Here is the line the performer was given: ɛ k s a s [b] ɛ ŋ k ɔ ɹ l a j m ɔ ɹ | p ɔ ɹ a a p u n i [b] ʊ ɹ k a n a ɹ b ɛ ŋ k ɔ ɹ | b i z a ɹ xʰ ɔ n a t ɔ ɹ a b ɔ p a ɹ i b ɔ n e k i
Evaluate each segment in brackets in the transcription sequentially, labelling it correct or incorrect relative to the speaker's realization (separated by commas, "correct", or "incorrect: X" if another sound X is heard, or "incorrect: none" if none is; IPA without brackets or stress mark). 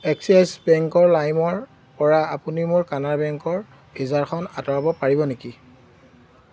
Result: correct, incorrect: m